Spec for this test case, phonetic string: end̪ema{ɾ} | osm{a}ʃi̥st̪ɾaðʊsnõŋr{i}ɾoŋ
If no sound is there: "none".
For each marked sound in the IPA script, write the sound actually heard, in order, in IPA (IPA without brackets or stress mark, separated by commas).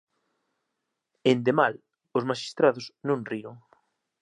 l, a, i